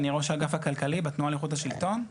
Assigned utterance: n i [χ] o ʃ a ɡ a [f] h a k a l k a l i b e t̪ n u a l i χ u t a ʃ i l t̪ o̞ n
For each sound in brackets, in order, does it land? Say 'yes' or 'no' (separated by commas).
no, yes